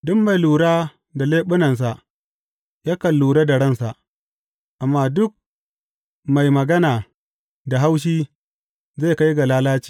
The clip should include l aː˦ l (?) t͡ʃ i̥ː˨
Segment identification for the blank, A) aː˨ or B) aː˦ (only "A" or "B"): B